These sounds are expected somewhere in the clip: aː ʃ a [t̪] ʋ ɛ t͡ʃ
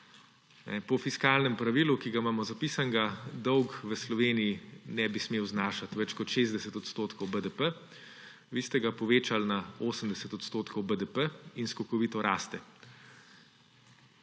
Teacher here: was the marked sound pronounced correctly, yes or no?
yes